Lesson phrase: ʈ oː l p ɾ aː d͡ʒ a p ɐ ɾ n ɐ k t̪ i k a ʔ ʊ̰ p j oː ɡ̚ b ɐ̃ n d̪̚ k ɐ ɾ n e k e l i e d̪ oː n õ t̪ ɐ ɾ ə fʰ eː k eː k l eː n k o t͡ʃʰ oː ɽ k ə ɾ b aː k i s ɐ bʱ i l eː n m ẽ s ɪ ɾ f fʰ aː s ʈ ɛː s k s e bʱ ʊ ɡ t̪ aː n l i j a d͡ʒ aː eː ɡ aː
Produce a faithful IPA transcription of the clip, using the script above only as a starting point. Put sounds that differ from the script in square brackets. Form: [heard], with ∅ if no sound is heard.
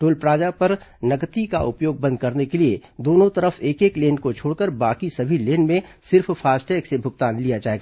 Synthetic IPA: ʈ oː l p ɾ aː d͡ʒ a p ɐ ɾ n ɐ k t̪ i k a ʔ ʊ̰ p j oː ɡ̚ b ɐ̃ n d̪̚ k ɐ ɾ n e k e l i e d̪ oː n õ t̪ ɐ ɾ ə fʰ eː k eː k l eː n k o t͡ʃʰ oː ɽ k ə ɾ b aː k i s ɐ bʱ i l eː n m ẽ s ɪ ɾ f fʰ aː s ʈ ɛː [∅] k s e bʱ ʊ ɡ t̪ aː n l i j a d͡ʒ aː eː ɡ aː